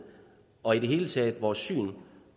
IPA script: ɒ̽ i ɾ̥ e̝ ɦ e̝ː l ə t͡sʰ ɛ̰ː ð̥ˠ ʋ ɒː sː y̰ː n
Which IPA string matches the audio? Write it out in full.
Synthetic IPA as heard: ɒ̽ i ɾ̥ e̝ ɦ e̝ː l ə t͡sʰ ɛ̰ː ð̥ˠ ʋ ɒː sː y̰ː n